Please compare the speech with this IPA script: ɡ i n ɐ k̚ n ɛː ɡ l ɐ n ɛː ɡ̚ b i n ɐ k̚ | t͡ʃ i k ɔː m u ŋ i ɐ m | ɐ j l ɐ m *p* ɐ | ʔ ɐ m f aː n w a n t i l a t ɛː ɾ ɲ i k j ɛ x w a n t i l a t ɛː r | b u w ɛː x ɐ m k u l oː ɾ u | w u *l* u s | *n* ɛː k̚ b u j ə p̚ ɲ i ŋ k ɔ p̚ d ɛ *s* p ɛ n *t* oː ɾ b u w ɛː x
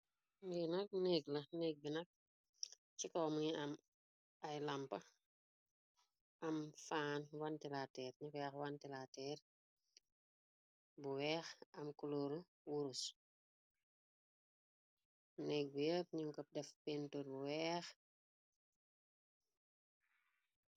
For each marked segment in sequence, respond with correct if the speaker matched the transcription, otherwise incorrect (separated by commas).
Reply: correct, incorrect, correct, incorrect, correct